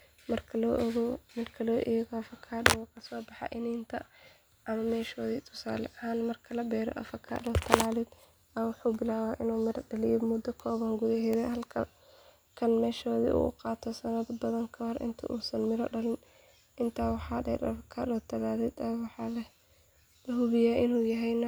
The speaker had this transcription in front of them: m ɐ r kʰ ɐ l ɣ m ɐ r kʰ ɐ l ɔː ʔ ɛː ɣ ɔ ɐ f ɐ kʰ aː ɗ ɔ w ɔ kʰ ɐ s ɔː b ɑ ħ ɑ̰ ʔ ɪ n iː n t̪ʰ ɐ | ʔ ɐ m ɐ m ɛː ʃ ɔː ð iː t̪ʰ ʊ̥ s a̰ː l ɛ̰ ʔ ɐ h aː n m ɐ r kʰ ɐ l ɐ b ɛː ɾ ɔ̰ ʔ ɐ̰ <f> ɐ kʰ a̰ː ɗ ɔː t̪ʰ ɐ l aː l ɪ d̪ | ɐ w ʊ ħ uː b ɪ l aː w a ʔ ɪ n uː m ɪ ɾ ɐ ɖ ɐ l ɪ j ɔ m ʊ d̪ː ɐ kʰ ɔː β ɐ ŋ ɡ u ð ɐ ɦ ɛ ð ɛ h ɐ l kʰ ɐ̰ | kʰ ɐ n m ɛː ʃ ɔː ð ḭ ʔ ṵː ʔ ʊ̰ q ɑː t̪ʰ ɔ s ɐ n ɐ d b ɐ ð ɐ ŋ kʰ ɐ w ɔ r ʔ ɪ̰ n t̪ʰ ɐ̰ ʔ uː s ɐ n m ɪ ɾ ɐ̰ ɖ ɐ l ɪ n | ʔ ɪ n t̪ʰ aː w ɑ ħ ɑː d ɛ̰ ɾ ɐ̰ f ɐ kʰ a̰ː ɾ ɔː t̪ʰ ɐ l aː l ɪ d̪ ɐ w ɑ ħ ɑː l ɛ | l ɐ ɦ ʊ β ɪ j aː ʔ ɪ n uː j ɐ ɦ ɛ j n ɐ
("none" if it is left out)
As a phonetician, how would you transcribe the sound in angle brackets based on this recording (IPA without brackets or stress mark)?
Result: f